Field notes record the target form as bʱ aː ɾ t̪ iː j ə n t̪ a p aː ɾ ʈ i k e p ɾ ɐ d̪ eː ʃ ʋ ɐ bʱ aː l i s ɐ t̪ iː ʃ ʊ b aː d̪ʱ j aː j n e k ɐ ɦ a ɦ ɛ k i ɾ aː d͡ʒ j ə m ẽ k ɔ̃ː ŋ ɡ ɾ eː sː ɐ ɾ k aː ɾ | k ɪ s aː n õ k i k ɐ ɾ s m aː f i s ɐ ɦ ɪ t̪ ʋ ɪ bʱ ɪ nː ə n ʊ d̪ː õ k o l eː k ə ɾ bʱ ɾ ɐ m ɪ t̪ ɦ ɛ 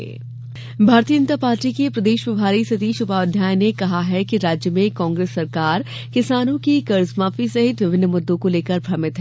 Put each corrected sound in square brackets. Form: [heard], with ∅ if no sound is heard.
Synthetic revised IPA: bʱ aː ɾ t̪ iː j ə n t̪ a p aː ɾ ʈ i k e p ɾ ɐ d̪ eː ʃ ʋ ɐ bʱ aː [ɾ] i s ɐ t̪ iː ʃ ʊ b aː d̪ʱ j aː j n e k ɐ ɦ a ɦ ɛ k i ɾ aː d͡ʒ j ə m ẽ k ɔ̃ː ŋ ɡ ɾ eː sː ɐ ɾ k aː ɾ | k ɪ s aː n õ k i k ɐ ɾ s m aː f i s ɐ ɦ ɪ t̪ ʋ ɪ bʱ ɪ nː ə [m] ʊ d̪ː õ k o l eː k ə ɾ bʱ ɾ ɐ m ɪ t̪ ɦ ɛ